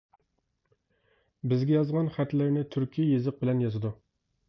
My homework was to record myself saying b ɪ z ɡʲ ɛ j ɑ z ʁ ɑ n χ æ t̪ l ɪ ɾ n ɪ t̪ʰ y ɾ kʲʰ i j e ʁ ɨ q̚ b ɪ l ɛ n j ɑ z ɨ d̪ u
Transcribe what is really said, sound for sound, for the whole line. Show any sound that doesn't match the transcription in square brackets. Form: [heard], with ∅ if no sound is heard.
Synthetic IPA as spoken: b ɪ z ɡʲ ɛ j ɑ z ʁ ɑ n χ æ t̪ l ɪ ɾ n ɪ t̪ʰ y ɾ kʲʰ i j e [z] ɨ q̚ b ɪ l ɛ n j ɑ z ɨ d̪ u